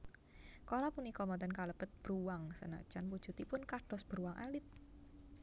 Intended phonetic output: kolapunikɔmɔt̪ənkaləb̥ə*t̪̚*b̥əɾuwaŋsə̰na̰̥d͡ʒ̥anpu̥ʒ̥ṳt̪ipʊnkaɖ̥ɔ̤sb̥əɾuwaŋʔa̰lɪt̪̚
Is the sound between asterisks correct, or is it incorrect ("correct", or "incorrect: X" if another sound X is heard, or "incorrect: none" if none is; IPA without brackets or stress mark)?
correct